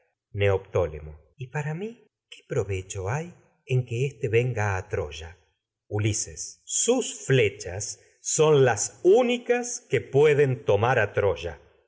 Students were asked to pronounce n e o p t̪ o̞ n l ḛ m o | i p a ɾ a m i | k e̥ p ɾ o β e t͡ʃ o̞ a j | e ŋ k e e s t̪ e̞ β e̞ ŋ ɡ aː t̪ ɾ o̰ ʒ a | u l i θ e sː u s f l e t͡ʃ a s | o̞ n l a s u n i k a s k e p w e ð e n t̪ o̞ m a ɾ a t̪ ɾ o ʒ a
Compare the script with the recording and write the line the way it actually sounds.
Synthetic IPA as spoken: n e o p t̪ o̞ l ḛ m o | i p a ɾ a m i | k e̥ p ɾ o β e t͡ʃ o̞ a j | e ŋ k e e s t̪ e̞ β e̞ ŋ ɡ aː t̪ ɾ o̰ ʒ a | u l i s e sː u s f l e t͡ʃ a sː | o̞ n l a s u n i k a s k e p w e ð e n t̪ o̞ m a ɾ a t̪ ɾ o ʒ a